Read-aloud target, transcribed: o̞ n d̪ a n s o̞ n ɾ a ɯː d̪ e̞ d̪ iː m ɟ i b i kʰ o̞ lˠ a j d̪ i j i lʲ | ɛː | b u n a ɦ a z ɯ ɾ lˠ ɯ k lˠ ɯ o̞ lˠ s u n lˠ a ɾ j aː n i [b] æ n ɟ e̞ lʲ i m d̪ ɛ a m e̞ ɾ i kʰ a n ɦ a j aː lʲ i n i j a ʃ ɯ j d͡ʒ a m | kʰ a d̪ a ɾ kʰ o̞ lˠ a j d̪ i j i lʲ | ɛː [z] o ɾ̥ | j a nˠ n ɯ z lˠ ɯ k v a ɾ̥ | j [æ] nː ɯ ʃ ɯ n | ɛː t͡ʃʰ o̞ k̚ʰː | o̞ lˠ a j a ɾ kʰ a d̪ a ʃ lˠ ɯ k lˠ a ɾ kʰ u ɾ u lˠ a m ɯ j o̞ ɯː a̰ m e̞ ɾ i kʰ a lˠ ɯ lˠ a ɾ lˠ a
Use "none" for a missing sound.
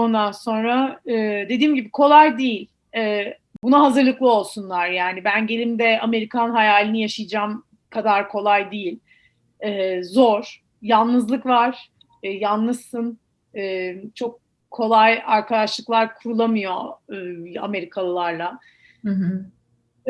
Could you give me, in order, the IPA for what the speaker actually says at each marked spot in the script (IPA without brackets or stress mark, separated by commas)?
b, z, a